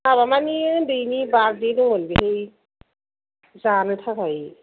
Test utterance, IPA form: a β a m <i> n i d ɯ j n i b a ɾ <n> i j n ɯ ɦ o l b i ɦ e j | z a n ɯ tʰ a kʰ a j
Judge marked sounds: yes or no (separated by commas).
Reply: no, no